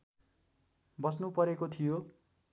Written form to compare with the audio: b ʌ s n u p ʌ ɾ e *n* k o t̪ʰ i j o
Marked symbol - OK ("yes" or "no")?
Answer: no